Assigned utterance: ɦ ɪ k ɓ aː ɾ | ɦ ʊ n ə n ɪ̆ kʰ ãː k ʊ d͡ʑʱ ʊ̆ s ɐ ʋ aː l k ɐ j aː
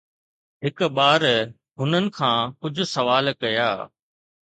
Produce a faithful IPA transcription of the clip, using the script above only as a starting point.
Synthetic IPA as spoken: ɦ ɪ k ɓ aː ɾ | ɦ ʊ n ə n ɪ̆ kʰ ãː k ʊ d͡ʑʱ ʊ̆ s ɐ ʋ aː l k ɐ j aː